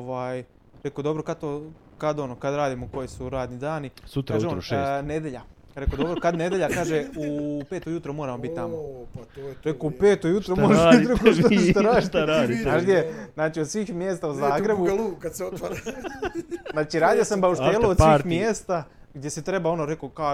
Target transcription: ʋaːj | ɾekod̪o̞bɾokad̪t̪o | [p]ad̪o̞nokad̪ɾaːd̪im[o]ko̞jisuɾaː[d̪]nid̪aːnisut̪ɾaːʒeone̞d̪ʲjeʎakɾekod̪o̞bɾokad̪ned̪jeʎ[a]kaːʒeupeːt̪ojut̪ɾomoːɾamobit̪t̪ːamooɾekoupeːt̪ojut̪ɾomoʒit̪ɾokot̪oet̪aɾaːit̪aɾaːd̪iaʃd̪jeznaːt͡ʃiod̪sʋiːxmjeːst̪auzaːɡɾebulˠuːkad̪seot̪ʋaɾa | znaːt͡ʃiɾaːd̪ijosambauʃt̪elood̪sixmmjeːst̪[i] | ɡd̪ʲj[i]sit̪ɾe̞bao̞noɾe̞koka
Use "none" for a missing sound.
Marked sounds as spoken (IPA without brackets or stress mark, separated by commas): k, o, d̪, a, a, e